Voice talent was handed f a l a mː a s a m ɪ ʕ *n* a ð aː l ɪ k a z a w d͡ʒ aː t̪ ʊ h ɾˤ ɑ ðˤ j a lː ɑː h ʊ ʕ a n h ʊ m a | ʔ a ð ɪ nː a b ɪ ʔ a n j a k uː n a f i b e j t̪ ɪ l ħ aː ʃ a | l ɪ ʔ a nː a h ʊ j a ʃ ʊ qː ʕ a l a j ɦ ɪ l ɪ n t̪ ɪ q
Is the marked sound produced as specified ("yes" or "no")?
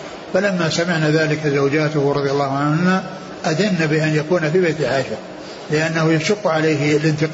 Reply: yes